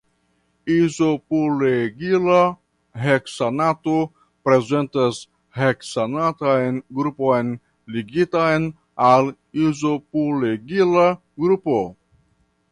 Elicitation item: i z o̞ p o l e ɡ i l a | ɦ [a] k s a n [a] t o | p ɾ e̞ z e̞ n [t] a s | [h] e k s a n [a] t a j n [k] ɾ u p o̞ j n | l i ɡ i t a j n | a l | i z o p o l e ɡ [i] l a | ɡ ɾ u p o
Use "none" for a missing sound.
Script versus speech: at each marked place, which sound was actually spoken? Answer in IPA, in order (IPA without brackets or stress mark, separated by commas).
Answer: e, a, t, h, a, ɡ, i